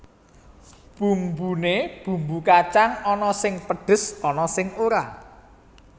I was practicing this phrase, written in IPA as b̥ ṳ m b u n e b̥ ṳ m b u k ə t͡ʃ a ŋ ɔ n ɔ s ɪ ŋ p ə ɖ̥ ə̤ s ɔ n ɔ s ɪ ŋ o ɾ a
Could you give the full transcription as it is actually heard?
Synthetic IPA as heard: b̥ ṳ m b u n e b̥ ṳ m b u k a t͡ʃ a ŋ ɔ n ɔ s ɪ ŋ p ə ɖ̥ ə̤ s ɔ n ɔ s ɪ ŋ o ɾ a